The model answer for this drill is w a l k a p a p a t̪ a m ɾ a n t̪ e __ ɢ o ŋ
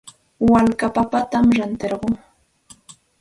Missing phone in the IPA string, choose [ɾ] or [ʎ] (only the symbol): ɾ